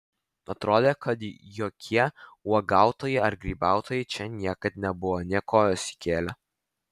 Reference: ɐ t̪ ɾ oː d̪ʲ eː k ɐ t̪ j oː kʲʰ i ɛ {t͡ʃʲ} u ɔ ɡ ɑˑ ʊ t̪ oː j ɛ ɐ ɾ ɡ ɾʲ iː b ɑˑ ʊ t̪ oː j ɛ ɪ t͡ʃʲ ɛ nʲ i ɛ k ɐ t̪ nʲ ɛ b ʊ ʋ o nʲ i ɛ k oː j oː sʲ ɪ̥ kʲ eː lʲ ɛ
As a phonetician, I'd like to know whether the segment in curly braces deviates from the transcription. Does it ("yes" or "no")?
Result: yes